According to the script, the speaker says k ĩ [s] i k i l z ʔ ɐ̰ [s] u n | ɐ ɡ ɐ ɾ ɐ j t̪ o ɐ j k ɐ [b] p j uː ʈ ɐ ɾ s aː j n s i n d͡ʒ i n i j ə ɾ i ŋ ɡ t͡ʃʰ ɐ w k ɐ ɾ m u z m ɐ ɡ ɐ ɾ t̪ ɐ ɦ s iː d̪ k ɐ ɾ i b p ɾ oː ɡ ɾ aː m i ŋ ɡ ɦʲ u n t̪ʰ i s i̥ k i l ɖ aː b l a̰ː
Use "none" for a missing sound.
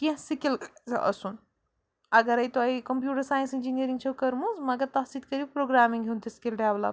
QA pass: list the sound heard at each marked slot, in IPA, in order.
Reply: s, s, m

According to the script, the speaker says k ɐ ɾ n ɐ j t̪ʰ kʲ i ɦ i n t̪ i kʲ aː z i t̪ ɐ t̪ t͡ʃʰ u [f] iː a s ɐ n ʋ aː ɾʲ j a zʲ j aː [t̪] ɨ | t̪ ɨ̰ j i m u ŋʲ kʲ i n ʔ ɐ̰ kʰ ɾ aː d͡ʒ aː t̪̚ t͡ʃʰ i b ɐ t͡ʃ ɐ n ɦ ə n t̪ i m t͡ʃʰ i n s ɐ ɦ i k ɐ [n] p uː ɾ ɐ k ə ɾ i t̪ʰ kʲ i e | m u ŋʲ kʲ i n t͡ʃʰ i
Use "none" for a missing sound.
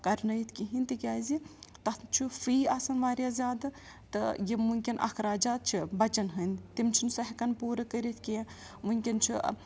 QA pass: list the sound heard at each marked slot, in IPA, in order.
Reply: f, d̪, n

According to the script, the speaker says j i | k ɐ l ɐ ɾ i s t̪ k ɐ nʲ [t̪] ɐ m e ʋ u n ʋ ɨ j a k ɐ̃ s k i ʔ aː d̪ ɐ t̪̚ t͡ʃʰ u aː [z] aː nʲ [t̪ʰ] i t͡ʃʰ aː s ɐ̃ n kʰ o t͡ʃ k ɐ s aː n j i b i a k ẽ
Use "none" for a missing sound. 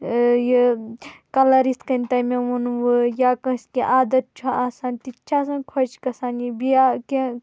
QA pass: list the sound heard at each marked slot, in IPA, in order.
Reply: t̪, s, t̪

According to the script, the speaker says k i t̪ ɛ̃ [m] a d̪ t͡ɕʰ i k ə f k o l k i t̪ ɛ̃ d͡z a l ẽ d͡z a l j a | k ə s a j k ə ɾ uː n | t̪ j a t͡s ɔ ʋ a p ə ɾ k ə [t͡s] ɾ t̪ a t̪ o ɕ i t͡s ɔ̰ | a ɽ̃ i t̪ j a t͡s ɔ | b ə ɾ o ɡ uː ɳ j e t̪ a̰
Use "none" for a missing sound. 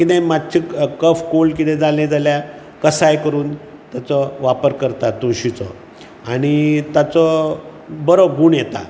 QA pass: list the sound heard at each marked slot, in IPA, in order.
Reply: m, none

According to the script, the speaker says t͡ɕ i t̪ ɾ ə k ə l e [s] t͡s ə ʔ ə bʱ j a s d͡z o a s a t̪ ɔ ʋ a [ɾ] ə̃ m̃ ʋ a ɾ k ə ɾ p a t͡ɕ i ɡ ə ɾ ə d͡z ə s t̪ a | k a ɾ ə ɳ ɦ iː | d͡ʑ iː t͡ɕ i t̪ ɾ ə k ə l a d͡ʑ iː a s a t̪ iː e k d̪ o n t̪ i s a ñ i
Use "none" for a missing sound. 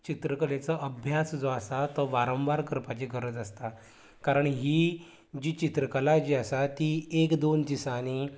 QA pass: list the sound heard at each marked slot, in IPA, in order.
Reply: none, ɾ

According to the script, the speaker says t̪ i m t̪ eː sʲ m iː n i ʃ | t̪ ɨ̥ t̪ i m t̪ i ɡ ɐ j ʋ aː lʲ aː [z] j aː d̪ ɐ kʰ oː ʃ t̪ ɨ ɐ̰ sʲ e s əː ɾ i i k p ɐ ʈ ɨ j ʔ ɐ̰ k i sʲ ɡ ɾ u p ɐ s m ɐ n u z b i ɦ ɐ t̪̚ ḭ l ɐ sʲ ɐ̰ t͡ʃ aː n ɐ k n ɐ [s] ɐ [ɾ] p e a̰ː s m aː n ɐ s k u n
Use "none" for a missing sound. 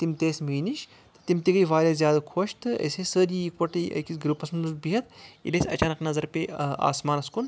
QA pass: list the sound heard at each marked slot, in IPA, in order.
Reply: z, z, ɾ

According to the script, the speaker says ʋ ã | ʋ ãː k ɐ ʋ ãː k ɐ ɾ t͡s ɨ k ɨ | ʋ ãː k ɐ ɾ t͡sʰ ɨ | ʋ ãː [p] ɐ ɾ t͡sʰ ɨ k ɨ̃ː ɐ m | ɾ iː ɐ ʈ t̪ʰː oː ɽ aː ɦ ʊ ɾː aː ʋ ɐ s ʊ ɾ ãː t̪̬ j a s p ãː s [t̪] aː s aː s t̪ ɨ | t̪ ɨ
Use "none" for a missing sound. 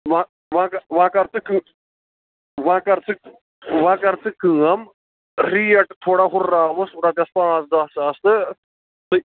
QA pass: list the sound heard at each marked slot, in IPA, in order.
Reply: k, d̪

